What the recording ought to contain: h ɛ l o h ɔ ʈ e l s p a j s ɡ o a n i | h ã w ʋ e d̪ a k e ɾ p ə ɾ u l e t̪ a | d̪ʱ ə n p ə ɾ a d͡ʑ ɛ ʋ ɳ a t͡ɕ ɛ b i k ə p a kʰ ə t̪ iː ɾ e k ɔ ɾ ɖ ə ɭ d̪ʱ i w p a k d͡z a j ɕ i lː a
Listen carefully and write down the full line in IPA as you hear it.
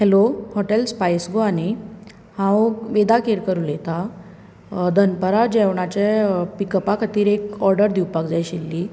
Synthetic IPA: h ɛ l o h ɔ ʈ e l s p a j s ɡ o a n i | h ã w ʋ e d̪ a k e ɾ k ə ɾ u l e t̪ a | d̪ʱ ə n p ə ɾ a d͡ʑ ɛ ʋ ɳ a t͡ɕ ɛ p i k ə p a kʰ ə t̪ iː ɾ e k ɔ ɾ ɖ ə ɾ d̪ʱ i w p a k d͡z a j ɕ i lː i

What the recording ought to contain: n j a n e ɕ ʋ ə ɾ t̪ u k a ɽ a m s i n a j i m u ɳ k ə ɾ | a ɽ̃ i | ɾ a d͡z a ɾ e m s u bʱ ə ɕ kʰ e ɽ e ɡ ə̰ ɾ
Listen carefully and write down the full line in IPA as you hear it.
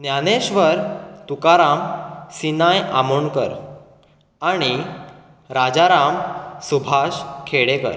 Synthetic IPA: n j a n e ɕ ʋ ə ɾ t̪ u k a ɾ a m s i n a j a m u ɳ k ə ɾ | a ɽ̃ i | ɾ a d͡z a ɾ a m s u bʱ a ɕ kʰ e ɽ e k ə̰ ɾ

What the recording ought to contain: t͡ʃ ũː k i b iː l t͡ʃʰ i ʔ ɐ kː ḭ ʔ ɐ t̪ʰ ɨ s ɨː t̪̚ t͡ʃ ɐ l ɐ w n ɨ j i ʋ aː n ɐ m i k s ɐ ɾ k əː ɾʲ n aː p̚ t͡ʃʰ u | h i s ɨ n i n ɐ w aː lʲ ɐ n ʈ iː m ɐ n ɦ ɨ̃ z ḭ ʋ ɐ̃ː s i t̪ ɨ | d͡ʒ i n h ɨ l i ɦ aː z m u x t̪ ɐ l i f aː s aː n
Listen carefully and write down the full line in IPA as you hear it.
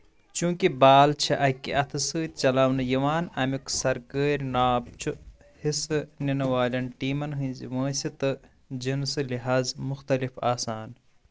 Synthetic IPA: t͡ʃ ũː k i b aː l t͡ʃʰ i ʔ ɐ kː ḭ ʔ ɐ t̪ʰ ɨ s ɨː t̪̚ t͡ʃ ɐ l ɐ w n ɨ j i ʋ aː n ɐ m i k s ɐ ɾ k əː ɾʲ n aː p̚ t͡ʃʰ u | h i s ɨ n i n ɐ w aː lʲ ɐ n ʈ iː m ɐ n ɦ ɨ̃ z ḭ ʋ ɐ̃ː s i t̪ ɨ | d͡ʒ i n s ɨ l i ɦ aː z m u x t̪ ɐ l i f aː s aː n

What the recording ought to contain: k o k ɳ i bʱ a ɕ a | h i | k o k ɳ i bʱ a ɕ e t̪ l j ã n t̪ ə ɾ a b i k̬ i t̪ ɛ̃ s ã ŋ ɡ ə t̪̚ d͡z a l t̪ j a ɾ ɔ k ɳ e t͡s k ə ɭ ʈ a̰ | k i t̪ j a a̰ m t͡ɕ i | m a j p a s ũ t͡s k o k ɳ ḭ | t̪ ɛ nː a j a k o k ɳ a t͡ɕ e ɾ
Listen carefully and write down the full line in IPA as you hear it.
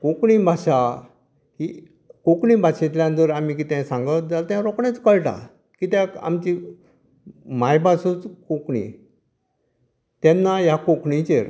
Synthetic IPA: k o k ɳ i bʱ a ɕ a | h i | k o k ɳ i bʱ a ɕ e t̪ l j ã n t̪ ə ɾ a m i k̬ i t̪ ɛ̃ s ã ŋ ɡ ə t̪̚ d͡z a l t̪ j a ɾ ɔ k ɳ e t͡s k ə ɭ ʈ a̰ | k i t̪ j a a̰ m t͡ɕ i | m a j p a s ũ t͡s k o k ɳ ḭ | t̪ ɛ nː a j a k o k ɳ i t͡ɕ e ɾ

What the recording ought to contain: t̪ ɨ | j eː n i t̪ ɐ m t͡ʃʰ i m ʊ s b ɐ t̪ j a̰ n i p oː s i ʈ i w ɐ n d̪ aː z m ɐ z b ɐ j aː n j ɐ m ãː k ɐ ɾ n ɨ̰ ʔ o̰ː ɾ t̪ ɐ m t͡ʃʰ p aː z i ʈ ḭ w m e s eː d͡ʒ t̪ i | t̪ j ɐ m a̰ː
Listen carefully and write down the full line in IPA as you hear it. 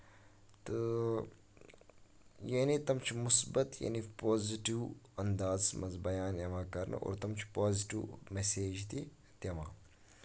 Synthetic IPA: t̪ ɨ | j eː n i t̪ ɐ m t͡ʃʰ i m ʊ s b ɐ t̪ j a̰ n i p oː z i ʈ i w ɐ n d̪ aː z m ɐ z b ɐ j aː n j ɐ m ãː k ɐ ɾ n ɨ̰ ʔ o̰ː ɾ t̪ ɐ m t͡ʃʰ p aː z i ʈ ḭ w m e s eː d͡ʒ t̪ i | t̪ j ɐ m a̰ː

